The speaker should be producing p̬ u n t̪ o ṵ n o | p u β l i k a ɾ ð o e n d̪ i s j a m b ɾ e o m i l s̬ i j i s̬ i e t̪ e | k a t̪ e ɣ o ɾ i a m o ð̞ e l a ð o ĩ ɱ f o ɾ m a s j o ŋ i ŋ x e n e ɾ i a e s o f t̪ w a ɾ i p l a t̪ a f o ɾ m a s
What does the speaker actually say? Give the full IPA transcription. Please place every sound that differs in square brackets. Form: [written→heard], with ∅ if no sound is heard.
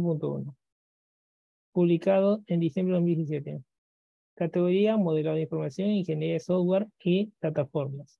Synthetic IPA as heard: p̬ u n t̪ o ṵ n o | p u β l i k a [ɾ→∅] ð o e n d̪ i s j [a→e] m b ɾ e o m i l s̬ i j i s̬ [i→j] e t̪ e | k a t̪ e ɣ o ɾ i a m o ð̞ e l a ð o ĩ ɱ f o ɾ m a s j o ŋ i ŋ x e n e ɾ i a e s o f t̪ w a ɾ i p l a t̪ a f o ɾ m a s